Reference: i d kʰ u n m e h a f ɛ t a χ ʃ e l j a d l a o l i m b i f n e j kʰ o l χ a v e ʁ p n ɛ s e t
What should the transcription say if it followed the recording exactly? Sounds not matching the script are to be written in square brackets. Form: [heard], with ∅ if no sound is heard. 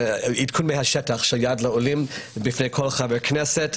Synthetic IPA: i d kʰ u n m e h a [ʃ] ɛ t a χ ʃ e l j a d l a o l i m b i f n e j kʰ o l χ a v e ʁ [k] n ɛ s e t